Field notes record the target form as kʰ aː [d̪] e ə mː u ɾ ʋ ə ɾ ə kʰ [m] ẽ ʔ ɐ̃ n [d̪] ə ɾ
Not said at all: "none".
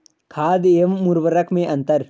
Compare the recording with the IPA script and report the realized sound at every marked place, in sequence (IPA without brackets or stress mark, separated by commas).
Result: d̪, m, t̪